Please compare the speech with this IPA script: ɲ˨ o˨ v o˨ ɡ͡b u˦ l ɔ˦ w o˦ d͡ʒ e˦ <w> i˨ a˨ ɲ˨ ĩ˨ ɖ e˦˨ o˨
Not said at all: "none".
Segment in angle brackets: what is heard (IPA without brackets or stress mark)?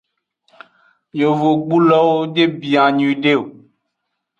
b